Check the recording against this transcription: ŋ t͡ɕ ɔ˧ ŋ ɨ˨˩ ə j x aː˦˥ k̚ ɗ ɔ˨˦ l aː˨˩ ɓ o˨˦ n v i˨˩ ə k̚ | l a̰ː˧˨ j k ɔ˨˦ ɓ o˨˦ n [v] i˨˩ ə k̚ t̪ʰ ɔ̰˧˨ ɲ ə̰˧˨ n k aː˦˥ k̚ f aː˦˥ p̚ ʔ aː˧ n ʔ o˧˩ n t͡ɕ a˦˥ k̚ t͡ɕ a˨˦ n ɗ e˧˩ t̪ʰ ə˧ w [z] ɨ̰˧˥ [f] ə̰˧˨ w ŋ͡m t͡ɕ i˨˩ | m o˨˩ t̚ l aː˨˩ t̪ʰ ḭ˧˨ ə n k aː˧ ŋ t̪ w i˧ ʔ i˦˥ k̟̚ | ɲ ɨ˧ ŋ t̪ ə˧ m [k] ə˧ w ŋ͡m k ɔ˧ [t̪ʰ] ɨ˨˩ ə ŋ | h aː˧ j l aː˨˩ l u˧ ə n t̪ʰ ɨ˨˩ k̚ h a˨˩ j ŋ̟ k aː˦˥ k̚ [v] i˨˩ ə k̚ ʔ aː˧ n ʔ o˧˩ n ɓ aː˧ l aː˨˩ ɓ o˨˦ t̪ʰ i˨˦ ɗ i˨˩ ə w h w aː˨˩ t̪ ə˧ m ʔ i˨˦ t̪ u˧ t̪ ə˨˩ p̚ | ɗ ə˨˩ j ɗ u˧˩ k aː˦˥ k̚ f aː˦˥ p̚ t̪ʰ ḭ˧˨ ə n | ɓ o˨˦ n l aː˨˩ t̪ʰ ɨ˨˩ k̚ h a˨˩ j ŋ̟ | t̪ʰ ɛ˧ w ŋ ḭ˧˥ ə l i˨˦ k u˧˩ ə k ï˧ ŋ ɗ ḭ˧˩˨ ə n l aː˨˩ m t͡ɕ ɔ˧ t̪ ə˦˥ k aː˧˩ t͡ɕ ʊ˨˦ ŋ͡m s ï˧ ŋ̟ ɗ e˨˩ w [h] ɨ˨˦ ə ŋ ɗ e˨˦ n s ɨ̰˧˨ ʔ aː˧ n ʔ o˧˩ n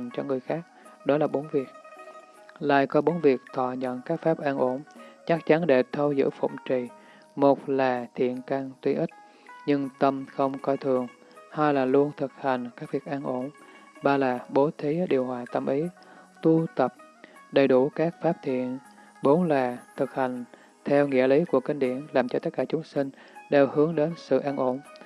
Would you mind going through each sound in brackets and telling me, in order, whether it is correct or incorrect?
correct, correct, correct, incorrect: x, correct, correct, correct

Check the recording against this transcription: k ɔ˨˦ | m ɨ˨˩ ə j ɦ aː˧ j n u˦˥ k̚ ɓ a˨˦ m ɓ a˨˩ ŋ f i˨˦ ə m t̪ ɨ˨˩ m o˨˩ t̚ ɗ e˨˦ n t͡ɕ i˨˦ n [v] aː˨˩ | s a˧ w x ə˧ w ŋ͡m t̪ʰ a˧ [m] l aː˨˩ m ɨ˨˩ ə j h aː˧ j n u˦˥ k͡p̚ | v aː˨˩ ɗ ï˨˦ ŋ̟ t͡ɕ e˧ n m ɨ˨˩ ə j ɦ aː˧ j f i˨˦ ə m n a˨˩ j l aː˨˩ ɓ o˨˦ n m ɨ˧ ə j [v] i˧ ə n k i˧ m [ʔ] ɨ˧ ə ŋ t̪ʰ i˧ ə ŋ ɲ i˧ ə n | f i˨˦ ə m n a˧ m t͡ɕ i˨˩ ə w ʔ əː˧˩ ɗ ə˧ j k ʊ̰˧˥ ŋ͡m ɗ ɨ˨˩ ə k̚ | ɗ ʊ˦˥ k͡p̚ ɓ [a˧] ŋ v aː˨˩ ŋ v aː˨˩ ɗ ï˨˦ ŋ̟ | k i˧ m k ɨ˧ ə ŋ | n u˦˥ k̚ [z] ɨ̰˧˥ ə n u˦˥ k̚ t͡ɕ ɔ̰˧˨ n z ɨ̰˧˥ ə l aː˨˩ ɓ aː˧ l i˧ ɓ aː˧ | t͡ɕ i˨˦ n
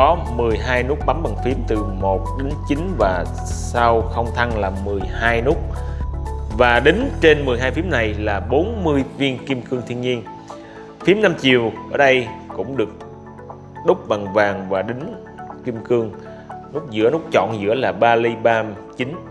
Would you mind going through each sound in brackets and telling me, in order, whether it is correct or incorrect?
correct, incorrect: ŋ, correct, incorrect: k, incorrect: a˨˩, correct

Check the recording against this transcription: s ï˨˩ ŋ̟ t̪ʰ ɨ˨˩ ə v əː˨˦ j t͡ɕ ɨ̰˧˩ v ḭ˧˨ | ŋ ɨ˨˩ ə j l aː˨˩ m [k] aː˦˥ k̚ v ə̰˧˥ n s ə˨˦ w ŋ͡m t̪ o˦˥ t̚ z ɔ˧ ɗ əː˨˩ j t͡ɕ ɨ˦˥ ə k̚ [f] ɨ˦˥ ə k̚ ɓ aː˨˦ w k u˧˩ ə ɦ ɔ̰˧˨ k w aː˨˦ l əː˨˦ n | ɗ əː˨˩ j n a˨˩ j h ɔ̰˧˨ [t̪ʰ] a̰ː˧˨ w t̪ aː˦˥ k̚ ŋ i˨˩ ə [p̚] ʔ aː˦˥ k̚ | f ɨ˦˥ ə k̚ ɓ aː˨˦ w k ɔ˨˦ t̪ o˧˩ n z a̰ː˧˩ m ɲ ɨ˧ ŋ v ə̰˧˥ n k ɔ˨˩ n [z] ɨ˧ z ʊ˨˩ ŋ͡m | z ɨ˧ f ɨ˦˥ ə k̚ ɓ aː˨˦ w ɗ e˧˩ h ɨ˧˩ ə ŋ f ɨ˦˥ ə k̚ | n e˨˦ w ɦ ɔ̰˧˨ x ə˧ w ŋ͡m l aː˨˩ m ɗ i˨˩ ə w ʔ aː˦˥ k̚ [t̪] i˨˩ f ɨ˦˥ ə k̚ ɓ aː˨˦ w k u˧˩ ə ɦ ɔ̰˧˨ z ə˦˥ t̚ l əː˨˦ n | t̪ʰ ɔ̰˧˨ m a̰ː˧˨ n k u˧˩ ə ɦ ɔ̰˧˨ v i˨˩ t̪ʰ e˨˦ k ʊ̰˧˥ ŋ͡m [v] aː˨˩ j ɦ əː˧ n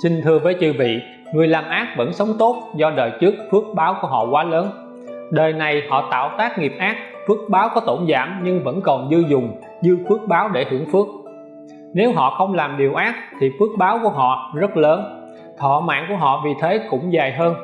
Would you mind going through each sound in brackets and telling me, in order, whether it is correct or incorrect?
incorrect: ʔ, correct, incorrect: t̪, correct, correct, incorrect: t̪ʰ, incorrect: z

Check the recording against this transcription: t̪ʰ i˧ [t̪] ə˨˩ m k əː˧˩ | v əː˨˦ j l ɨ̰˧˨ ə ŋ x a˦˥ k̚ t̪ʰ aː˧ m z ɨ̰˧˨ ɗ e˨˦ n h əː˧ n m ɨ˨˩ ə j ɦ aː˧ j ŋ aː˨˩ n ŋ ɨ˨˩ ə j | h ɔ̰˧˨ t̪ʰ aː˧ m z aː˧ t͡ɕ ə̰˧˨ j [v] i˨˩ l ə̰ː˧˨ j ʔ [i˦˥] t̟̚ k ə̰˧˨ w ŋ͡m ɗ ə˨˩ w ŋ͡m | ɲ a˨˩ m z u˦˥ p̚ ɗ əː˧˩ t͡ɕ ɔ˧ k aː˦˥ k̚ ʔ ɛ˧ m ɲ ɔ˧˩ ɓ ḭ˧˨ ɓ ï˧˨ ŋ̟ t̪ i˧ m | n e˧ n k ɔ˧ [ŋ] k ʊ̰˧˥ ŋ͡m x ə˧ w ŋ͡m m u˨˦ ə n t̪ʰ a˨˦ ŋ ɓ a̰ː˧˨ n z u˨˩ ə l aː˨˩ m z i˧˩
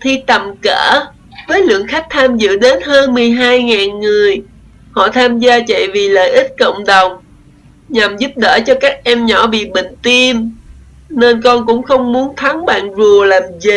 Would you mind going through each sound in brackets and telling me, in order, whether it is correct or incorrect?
correct, correct, correct, incorrect: n

